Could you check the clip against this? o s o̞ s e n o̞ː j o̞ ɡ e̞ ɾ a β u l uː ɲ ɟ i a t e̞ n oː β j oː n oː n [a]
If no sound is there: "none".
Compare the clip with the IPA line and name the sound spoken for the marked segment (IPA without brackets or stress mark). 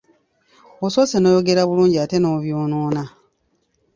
a